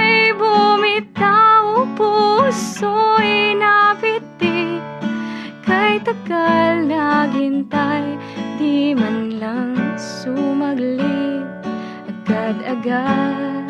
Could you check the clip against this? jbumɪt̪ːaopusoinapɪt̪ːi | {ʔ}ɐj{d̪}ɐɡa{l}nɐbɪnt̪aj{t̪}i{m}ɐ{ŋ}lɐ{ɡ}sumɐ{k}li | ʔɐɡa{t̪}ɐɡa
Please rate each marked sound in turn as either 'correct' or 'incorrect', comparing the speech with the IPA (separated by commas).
incorrect, incorrect, correct, incorrect, correct, incorrect, incorrect, incorrect, incorrect